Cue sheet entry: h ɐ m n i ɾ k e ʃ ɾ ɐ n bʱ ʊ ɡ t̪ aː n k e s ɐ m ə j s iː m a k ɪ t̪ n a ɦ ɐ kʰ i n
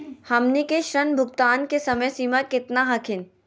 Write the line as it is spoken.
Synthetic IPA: h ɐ m n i k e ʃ ɾ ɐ n bʱ ʊ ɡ t̪ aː n k e s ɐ m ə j s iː m a k ɪ t̪ n a ɦ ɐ kʰ ɪ n